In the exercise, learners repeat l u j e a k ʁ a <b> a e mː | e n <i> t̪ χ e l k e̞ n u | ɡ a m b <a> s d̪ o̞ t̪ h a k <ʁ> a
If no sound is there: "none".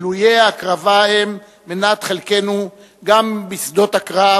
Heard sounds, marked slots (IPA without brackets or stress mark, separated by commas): v, a, i, ʁ